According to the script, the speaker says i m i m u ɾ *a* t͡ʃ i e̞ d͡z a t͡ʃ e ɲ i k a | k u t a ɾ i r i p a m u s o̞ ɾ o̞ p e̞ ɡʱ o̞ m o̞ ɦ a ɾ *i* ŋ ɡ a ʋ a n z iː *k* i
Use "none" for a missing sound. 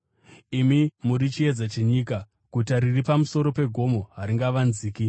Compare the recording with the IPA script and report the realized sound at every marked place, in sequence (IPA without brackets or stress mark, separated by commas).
i, i, k